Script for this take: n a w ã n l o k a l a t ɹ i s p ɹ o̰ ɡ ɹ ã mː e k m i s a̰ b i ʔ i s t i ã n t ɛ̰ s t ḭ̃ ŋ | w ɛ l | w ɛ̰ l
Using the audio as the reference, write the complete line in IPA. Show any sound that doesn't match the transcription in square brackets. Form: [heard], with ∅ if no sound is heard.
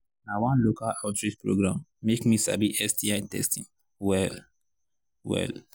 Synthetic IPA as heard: n a w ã n l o k a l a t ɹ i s p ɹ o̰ ɡ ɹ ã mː e k m i s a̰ b i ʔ [ɛ] s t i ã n t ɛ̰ s t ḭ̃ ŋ | w ɛ l | w ɛ̰ l

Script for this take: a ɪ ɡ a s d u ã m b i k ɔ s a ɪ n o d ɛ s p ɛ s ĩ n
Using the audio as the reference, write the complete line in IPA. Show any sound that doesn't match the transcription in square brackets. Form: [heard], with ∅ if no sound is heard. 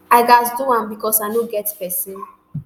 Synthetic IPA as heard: a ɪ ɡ a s d u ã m b i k ɔ s a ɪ n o [ɡ] ɛ [t] p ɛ s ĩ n

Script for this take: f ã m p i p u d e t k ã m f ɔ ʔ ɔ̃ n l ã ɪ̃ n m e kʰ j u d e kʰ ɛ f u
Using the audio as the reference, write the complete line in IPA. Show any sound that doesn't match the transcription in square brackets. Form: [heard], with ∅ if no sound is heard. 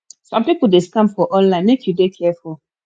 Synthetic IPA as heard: [s] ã m p i p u d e [s] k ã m f ɔ ʔ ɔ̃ n l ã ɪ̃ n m e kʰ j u d e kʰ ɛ f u

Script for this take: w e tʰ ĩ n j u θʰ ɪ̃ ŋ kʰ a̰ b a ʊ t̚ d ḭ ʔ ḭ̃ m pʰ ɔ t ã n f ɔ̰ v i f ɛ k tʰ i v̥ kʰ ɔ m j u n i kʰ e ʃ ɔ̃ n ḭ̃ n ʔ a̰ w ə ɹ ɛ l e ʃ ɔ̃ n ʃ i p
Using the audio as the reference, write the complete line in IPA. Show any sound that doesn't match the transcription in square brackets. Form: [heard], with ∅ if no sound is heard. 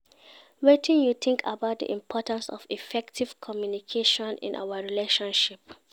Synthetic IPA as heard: w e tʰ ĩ n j u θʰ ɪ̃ ŋ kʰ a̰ b a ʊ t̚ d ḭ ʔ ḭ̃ m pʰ ɔ t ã n [s] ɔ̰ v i f ɛ k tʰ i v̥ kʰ ɔ m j u n i kʰ e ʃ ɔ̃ n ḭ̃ n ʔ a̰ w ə ɹ [i] l e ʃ ɔ̃ n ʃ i p

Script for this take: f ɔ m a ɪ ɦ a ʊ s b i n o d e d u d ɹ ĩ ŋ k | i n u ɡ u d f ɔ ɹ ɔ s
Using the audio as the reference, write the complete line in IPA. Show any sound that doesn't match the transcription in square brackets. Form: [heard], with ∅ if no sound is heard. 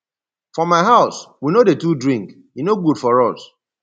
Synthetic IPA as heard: f ɔ m a ɪ ɦ a ʊ s [w] i n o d e [t] u d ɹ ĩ ŋ k | i n [o] ɡ u d f ɔ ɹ ɔ s

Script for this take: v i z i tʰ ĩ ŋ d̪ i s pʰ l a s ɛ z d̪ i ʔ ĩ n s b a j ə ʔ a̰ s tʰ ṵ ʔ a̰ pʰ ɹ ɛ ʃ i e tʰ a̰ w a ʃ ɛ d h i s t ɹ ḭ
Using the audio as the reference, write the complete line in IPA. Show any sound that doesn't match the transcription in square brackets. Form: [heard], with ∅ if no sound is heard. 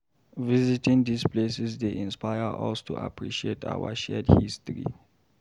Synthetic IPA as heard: v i z i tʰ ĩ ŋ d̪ i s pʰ l [e] s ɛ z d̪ [e] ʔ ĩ n s [p] a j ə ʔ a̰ s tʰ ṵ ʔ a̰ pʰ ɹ [i] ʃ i e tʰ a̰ w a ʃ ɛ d h i s t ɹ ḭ

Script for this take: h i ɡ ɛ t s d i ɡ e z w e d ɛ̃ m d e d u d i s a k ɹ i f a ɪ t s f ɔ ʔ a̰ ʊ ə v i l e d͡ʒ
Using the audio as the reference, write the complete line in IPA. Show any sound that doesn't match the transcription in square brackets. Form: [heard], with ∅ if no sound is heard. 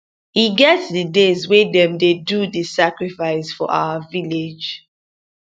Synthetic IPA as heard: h i ɡ ɛ t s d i [d] e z w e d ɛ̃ m d e d u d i s a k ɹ i f a ɪ [∅] s f ɔ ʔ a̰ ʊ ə v i l e d͡ʒ

